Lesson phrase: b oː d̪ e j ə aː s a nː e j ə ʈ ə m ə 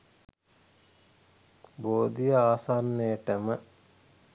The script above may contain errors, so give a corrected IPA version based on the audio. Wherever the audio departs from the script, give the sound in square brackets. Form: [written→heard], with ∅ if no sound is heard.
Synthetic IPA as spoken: b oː d̪ [e→i] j ə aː s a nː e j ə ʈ ə m ə